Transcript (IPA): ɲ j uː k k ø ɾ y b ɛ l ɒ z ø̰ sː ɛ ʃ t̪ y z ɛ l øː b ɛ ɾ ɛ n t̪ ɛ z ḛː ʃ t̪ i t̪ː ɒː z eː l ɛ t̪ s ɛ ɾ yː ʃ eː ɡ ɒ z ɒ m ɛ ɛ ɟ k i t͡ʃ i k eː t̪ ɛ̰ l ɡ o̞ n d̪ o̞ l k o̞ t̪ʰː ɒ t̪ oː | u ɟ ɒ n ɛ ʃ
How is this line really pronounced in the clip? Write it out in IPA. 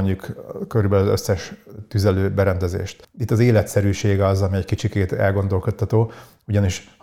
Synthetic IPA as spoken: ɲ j u k k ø ɾ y b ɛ l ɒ z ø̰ sː ɛ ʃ t̪ y z ɛ l øː b ɛ ɾ ɛ n d̪ ɛ z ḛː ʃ t̪ i t̪ː ɒ z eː l ɛ t̪ s ɛ ɾ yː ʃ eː ɡ ɒ z ɒ m i ɛ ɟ k i t͡ʃ i k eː t̪ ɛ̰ l ɡ o̞ n d̪ o̞ l k o̞ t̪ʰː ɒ t̪ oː | u ɟ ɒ n i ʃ